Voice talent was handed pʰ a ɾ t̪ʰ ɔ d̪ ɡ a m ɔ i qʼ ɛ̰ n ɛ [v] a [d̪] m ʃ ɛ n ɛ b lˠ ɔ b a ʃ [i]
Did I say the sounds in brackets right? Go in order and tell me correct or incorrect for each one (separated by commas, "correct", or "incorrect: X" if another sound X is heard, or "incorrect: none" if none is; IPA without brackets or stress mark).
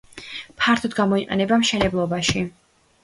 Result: incorrect: b, incorrect: none, correct